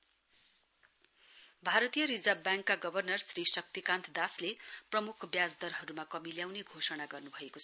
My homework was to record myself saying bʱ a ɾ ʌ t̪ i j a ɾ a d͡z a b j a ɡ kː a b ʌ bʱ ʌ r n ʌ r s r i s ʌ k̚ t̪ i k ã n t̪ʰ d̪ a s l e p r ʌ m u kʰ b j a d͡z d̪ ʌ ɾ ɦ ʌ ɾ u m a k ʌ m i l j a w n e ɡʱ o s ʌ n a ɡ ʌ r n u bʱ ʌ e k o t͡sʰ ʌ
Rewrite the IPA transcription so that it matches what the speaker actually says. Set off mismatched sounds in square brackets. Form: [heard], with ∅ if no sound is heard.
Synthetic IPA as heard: bʱ a ɾ ʌ t̪ i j [ʌ] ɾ [i] d͡z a b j a [ŋ] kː a [ɡ] ʌ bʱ ʌ r n ʌ r s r i s ʌ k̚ t̪ i k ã n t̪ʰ d̪ a s l e p r ʌ m u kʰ b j a d͡z d̪ ʌ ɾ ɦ ʌ ɾ u m a k ʌ m i l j a w n e ɡʱ o s ʌ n a ɡ ʌ r n u bʱ ʌ e k o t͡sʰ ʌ